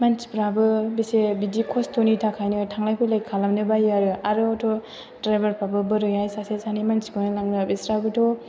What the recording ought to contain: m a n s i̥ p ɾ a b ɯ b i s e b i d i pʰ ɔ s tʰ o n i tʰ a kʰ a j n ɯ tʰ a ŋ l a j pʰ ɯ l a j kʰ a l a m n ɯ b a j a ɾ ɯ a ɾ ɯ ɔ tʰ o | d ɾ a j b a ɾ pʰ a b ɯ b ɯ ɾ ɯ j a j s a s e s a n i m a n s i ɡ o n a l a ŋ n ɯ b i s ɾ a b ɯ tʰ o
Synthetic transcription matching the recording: m a n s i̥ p ɾ a b ɯ b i s e b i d i kʰ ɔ s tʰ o n i tʰ a kʰ a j n ɯ tʰ a ŋ l a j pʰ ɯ l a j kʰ a l a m n ɯ b a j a ɾ ɯ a ɾ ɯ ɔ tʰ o | d ɾ a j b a ɾ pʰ a b ɯ b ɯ ɾ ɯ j a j s a s e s a n i m a n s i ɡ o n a l a ŋ n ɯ b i s ɾ a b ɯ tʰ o